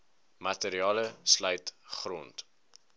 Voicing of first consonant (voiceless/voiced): voiced